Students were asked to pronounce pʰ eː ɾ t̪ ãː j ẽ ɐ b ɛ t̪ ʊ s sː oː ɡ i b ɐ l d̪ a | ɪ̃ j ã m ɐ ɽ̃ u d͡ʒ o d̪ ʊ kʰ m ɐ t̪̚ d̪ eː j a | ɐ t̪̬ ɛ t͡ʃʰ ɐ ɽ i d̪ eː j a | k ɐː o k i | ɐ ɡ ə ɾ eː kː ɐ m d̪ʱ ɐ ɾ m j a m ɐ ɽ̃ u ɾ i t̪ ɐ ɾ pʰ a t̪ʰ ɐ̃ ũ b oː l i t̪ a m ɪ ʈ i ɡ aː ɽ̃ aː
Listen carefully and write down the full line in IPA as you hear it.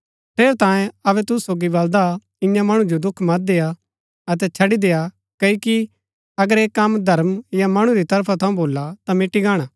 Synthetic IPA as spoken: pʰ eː ɾ t̪ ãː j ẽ ɐ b ɛ t̪ ʊ s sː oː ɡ i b ɐ l d̪ a | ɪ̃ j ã m ɐ ɽ̃ u d͡ʒ o d̪ ʊ kʰ m ɐ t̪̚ d̪ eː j a | ɐ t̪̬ ɛ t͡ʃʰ ɐ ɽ i d̪ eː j a | k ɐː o k i | ɐ ɡ ə ɾ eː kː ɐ m d̪ʱ ɐ ɾ m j a m ɐ ɽ̃ u ɾ i t̪ ɐ ɾ pʰ a t̪ʰ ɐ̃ ũ b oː l a t̪ a m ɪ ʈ i ɡ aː ɽ̃ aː

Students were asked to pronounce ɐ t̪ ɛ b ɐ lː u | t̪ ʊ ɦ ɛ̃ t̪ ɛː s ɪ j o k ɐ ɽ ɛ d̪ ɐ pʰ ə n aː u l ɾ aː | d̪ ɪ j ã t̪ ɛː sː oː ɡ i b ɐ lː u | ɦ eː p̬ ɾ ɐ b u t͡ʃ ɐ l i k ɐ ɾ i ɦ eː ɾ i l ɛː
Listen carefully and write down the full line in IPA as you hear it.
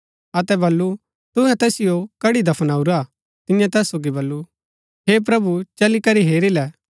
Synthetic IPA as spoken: ɐ t̪ ɛ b ɐ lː u | t̪ ʊ ɦ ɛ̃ t̪ ɛː s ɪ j o k ɐ ɽ i d̪ ɐ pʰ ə n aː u ɾ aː | t̪ ɪ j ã t̪ ɛː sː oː ɡ i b ɐ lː u | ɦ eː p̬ ɾ ɐ b u t͡ʃ ɐ l i k ɐ ɾ i ɦ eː ɾ i l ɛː

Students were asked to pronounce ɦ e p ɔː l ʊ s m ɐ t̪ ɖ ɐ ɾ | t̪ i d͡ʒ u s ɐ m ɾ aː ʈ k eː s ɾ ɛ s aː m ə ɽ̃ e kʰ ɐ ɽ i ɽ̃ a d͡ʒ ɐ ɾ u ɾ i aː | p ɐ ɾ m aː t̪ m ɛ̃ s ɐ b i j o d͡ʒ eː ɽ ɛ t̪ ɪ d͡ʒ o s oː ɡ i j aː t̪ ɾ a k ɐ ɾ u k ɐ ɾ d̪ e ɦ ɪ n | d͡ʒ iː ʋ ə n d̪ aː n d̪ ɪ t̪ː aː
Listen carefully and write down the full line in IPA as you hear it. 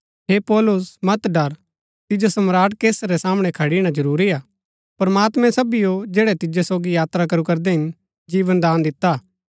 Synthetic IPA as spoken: ɦ e p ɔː l ʊ s m ɐ t̪ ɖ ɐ ɾ | t̪ ɪ d͡ʒ o s ɐ m ɾ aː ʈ k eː s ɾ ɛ s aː m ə ɽ̃ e kʰ ɐ ɽ i ɽ̃ a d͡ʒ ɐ ɾ uː ɾ i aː | p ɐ ɾ m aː t̪ m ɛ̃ s ɐ b i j o d͡ʒ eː ɽ ɛ t̪ ɪ d͡ʒ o s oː ɡ i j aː t̪ ɾ a k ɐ ɾ u k ɐ ɾ d̪ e ɦ ɪ n | d͡ʒ iː ʋ ə n d̪ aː n d̪ ɪ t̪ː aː

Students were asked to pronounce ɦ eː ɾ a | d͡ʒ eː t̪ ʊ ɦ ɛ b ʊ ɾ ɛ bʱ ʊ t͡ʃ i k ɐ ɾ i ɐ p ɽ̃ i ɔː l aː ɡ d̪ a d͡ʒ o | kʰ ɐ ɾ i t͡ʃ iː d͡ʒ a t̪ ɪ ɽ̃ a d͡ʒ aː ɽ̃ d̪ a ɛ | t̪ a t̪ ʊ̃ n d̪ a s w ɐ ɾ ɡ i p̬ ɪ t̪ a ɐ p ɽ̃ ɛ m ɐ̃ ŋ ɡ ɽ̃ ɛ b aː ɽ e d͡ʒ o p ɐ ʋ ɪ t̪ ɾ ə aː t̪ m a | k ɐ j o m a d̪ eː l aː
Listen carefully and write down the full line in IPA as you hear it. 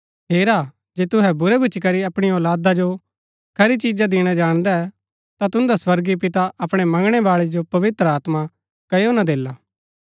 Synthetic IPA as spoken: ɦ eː ɾ a | d͡ʒ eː t̪ ʊ ɦ ɛ b ʊ ɾ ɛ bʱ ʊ t͡ʃ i k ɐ ɾ i ɐ p ɽ̃ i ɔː l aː d̪ a d͡ʒ o | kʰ ɐ ɾ i t͡ʃ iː d͡ʒ a d̪ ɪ ɽ̃ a d͡ʒ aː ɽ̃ d̪ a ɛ | t̪ a t̪ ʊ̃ n d̪ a s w ɐ ɾ ɡ i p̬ ɪ t̪ a ɐ p ɽ̃ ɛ m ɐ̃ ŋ ɡ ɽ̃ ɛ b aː ɭ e d͡ʒ o p ɐ ʋ ɪ t̪ ɾ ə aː t̪ m a | k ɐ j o n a d̪ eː l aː

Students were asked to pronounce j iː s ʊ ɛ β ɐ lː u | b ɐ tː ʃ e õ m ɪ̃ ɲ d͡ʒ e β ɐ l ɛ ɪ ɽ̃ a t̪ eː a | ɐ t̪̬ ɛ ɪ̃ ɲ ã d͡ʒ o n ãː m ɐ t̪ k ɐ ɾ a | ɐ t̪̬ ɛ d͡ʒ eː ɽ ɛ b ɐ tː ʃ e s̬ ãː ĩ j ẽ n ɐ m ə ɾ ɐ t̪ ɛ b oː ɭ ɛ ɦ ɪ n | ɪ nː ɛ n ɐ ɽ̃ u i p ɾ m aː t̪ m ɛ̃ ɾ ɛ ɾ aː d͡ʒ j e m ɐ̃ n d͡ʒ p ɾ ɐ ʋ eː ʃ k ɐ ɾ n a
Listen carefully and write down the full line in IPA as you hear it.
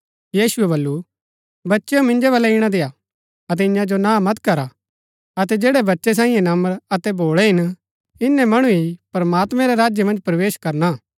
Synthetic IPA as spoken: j iː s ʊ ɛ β ɐ lː u | b ɐ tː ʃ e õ m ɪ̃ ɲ d͡ʒ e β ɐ l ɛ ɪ ɽ̃ a d̪ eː a | ɐ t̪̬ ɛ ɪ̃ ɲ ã d͡ʒ o n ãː m ɐ t̪ k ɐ ɾ a | ɐ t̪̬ ɛ d͡ʒ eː ɽ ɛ b ɐ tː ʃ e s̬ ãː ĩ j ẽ n ɐ m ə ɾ ɐ t̪ ɛ b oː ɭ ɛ ɦ ɪ n | ɪ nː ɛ m ɐ ɽ̃ u i p ɾ m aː t̪ m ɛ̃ ɾ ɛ ɾ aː d͡ʒ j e m ɐ̃ n d͡ʒ p ɾ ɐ ʋ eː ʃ k ɐ ɾ n a

